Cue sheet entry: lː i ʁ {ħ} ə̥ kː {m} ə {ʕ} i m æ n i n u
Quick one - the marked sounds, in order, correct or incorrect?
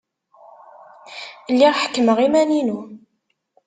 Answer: correct, correct, incorrect: ʁ

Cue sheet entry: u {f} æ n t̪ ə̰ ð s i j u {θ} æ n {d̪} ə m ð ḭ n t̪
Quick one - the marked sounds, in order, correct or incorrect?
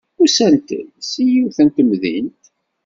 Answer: incorrect: s, correct, incorrect: t̪

